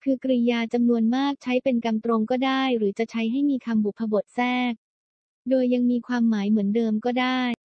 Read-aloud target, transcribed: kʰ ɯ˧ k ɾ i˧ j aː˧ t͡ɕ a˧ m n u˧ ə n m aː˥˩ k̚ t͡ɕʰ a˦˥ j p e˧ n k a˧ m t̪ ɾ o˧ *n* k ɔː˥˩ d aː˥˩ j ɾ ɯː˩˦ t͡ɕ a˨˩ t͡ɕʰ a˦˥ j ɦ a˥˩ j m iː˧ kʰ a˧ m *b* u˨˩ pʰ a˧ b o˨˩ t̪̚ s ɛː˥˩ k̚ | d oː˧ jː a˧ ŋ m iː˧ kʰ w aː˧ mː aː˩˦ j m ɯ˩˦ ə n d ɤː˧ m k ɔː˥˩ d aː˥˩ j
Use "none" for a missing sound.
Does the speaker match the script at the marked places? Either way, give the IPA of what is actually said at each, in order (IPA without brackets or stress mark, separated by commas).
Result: ŋ, b